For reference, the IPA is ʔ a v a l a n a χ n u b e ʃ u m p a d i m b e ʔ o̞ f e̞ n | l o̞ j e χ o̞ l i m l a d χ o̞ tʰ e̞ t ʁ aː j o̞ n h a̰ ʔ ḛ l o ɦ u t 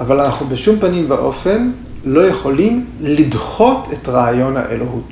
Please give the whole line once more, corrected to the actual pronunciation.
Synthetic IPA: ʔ a v a l a n a χ n u b e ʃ u m p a n i m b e ʔ o̞ f e̞ n | l o̞ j e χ o̞ l i m l i d χ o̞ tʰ e̞ t ʁ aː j o̞ n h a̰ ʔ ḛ l o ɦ u t